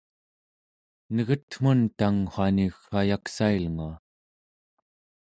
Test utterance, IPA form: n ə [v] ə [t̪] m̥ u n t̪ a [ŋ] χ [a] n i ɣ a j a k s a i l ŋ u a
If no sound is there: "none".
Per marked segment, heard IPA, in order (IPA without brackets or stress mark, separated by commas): ɣ, t̪, ŋ, a